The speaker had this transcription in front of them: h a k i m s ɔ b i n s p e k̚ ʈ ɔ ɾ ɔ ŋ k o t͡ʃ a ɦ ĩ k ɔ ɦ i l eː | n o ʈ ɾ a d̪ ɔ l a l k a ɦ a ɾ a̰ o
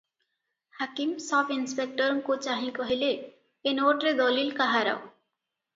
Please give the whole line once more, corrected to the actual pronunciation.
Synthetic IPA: h a k i m s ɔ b i n s p e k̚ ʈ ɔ ɾ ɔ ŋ k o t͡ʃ a ɦ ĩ k ɔ ɦ i l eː | n o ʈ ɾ e d̪ ɔ l i l k a ɦ a ɾ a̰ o